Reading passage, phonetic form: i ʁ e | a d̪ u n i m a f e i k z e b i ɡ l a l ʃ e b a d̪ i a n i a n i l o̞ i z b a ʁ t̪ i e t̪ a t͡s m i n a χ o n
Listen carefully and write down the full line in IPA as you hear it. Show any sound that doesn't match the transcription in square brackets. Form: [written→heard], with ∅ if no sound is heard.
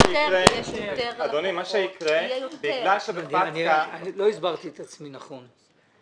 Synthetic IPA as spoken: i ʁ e | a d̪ [u→o] n i m a [f→ʃ] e i k [z→ʁ] e b i ɡ l a l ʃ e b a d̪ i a n i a n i l o̞ i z b a ʁ t̪ i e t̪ a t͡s m i n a χ o n